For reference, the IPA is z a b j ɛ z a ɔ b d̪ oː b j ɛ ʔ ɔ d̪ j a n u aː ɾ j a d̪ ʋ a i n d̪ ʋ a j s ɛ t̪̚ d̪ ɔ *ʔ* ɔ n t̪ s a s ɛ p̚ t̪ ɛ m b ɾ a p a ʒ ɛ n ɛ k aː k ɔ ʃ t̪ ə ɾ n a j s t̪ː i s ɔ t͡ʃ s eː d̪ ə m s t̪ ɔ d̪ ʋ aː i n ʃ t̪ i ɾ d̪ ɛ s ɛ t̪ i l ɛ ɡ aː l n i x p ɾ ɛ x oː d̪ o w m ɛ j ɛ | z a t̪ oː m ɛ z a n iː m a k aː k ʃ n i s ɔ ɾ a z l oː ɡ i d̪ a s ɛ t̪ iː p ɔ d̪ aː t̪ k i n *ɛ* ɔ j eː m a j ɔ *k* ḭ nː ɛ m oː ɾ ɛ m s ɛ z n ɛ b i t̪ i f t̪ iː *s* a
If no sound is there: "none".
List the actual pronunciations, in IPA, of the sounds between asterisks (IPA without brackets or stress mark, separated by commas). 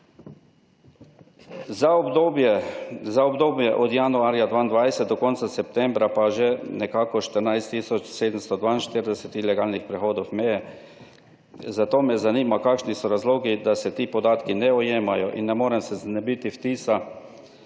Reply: k, ɛ, ʔ, s